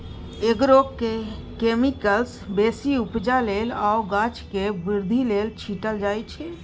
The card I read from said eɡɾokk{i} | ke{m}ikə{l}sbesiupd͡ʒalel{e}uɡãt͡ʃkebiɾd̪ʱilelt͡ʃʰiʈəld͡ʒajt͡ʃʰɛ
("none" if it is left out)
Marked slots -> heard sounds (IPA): e, m, l, a

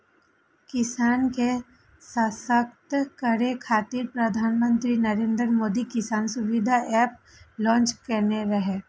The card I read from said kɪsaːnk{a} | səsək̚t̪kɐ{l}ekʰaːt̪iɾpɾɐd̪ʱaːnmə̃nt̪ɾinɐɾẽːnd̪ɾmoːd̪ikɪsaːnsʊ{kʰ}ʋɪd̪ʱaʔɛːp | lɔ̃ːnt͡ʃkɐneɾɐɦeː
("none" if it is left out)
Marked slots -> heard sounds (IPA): e, ɾ, none

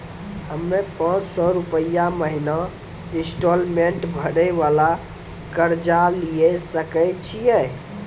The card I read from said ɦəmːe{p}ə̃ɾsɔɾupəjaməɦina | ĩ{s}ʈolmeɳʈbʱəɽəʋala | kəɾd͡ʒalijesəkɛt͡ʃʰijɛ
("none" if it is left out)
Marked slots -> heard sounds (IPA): p, s

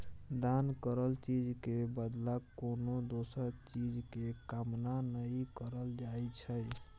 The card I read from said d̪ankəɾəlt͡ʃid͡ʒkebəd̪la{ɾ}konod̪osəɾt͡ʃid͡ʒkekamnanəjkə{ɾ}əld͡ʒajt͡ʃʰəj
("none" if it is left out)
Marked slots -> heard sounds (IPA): none, ɾ

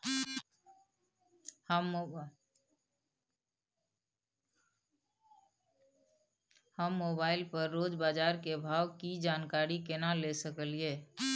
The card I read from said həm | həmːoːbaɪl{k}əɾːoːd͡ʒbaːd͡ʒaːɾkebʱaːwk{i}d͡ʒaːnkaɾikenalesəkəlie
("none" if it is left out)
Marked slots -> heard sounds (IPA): p, i

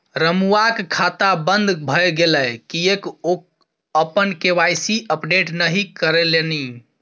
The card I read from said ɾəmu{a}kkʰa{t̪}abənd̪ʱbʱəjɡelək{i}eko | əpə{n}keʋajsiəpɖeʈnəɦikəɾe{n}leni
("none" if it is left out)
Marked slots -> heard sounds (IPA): a, t̪, i, n, none

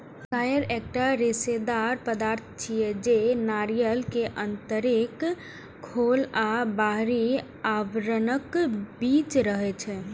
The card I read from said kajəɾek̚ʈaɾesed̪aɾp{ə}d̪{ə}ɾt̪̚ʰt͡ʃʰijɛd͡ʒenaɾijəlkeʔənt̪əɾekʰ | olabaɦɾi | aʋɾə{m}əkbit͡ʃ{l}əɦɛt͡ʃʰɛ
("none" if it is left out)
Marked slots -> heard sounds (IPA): ə, a, n, ɾ

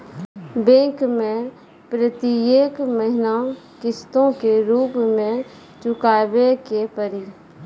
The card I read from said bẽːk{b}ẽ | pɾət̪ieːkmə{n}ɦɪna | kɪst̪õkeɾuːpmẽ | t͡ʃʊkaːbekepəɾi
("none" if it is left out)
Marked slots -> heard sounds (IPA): m, none

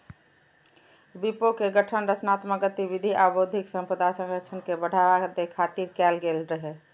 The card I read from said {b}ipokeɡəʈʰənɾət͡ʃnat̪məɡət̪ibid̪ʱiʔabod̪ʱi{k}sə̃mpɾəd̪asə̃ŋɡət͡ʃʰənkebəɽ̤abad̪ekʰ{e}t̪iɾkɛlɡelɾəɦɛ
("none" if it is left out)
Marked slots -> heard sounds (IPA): b, k, a

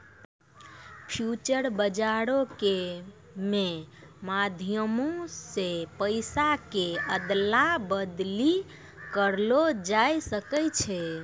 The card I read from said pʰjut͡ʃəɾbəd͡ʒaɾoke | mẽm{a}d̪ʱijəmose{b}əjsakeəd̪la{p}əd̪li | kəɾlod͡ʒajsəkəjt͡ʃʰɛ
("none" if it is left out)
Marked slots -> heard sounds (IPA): a, p, b

